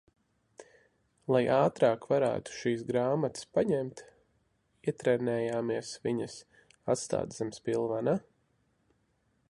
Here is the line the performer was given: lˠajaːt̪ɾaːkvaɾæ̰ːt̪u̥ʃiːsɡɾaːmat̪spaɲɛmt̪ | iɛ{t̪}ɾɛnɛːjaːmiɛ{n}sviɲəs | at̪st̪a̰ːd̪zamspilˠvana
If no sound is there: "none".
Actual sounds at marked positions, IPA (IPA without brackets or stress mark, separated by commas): t̪, none